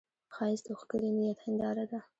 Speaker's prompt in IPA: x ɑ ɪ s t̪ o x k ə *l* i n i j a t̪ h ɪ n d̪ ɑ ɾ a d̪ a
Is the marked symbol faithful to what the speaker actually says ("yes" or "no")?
no